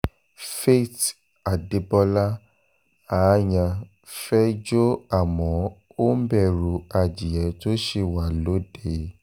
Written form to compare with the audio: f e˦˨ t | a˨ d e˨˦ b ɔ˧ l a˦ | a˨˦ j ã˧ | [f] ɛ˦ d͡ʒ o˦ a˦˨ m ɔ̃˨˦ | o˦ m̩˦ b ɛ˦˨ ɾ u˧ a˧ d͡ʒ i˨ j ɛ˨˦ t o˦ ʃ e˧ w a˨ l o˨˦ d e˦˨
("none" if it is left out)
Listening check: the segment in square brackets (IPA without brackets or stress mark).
f